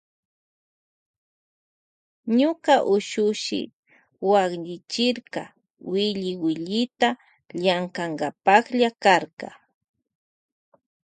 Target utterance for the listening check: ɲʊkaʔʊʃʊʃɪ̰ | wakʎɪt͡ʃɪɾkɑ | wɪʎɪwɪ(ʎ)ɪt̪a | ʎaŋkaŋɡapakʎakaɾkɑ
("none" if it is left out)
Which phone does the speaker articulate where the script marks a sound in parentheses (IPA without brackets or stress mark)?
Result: ʎ